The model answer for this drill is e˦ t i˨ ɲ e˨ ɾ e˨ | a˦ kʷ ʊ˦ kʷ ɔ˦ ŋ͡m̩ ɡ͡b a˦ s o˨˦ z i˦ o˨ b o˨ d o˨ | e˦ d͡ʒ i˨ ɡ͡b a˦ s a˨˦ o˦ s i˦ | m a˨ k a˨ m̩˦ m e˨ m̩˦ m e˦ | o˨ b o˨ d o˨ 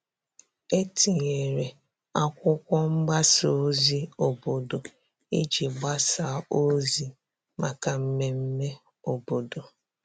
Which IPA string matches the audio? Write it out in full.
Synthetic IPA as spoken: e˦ t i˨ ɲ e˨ ɾ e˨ | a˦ kʷ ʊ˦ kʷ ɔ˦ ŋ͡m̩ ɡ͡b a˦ s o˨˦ z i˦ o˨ b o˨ d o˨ | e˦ d͡ʒ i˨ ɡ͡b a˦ s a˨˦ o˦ z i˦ | m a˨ k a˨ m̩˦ m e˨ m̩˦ m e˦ | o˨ b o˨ d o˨